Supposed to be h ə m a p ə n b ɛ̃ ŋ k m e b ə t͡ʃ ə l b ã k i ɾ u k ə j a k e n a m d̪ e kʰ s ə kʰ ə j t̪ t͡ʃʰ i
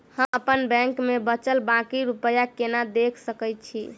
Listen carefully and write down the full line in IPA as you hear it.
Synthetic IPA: h ə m ə p ə n b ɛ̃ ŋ k m e b ə t͡ʃ ə l b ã k i ɾ u p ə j a k e n a d̪ e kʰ s ə k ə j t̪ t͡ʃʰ i